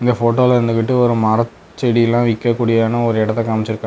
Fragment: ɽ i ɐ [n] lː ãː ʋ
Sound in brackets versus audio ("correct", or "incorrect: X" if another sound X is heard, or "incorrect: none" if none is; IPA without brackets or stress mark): incorrect: none